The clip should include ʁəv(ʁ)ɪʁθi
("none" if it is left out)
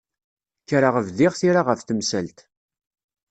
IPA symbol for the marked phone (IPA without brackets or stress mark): ð